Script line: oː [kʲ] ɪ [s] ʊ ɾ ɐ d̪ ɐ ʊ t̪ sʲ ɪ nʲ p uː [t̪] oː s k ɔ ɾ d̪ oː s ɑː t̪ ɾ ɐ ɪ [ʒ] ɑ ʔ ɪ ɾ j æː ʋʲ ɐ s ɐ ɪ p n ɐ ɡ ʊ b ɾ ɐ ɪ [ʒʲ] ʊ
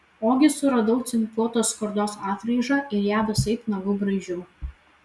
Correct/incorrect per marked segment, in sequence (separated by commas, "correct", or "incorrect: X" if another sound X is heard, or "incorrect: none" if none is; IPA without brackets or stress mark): incorrect: ɡʲ, correct, correct, correct, correct